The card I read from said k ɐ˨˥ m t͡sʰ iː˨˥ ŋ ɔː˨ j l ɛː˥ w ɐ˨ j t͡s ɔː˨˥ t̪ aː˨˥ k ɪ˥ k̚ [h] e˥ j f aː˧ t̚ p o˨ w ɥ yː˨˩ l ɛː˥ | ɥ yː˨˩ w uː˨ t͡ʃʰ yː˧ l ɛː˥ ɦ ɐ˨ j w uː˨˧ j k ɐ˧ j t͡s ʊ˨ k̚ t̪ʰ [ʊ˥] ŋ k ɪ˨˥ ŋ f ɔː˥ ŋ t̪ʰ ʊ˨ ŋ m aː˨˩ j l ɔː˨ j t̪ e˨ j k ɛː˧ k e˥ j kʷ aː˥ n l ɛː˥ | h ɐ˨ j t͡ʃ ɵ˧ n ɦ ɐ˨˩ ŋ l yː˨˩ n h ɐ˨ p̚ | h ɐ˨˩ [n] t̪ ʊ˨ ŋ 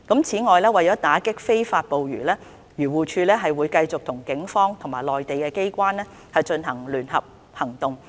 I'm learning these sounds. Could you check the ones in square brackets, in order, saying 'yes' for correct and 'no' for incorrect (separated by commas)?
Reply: no, no, no